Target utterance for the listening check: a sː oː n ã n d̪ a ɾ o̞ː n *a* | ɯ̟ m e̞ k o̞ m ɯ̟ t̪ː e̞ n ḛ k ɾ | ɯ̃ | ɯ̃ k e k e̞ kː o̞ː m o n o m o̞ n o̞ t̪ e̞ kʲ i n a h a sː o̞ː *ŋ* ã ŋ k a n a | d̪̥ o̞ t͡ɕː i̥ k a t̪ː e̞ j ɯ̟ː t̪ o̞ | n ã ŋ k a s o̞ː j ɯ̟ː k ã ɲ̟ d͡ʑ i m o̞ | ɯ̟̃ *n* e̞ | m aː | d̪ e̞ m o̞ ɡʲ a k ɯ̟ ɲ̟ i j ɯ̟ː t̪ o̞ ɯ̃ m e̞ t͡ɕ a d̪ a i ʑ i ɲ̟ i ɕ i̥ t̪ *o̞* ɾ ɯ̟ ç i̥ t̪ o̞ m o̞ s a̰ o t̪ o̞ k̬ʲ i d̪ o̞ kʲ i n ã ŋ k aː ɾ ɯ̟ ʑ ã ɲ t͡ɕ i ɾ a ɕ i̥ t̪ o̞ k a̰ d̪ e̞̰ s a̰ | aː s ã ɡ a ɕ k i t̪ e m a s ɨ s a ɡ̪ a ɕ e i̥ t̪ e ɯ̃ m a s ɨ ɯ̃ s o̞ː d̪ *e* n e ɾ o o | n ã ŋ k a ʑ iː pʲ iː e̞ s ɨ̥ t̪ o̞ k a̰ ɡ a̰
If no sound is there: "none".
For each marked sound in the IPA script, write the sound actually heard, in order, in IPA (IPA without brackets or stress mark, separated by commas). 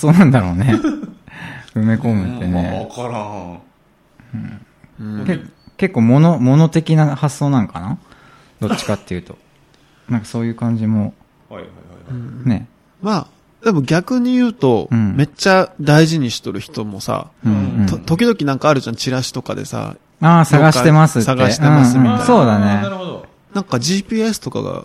e, n, n, o̞, a